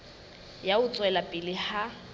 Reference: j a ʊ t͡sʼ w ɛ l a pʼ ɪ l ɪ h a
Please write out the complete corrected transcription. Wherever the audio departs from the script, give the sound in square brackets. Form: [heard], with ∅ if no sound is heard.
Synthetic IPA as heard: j a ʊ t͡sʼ w ɛ l a pʼ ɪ l ɪ h a